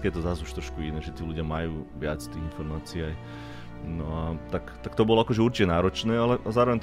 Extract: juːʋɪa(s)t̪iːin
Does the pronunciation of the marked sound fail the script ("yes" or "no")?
yes